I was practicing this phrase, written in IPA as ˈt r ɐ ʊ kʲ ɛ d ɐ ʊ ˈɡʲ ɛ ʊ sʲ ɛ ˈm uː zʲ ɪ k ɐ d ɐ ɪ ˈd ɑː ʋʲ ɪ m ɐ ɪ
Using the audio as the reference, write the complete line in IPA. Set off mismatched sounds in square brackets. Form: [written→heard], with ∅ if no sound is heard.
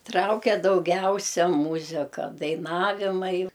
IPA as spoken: ˈt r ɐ ʊ kʲ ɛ d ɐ ʊ ˈɡʲ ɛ ʊ sʲ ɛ ˈm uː zʲ ɪ k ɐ d ɐ ɪ [ˈd→ˈn] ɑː ʋʲ ɪ m ɐ ɪ